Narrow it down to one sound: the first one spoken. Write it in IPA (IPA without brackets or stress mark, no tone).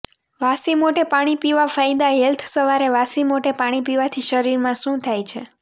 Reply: ʋ